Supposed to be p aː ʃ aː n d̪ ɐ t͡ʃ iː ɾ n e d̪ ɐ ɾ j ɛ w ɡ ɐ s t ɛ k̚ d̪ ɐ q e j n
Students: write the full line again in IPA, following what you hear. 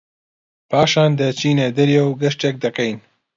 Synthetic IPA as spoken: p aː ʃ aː n d̪ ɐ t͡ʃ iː n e d̪ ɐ ɾ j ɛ w ɡ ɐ ʃ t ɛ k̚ d̪ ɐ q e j n